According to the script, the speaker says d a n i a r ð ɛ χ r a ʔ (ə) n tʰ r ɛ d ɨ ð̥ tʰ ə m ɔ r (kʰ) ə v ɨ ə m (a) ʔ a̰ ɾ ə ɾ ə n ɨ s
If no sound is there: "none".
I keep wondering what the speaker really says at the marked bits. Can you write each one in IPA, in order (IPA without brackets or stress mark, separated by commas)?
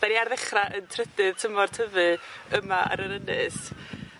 ə, tʰ, a